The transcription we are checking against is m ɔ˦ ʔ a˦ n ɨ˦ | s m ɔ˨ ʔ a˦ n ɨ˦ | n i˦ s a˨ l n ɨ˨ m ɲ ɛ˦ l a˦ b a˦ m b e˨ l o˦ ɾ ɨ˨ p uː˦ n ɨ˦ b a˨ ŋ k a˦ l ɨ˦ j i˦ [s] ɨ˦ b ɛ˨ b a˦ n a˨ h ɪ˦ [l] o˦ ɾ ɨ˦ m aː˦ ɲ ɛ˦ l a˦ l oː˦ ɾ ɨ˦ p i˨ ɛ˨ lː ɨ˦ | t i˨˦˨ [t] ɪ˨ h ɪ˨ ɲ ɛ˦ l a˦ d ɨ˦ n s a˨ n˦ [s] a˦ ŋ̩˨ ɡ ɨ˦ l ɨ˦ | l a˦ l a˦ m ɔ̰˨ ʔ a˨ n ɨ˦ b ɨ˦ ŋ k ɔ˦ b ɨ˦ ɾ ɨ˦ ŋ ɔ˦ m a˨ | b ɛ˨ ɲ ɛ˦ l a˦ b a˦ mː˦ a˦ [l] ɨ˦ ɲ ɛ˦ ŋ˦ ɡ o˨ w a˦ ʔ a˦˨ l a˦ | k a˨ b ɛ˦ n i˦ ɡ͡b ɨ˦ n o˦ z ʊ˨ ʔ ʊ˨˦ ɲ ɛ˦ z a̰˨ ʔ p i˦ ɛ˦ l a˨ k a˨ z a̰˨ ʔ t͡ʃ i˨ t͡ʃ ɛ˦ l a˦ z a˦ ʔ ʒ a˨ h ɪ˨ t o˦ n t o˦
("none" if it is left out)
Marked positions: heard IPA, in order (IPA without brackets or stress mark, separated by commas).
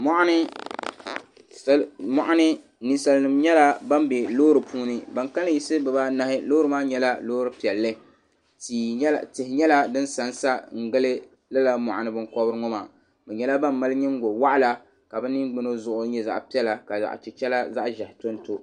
s, l, t, s, l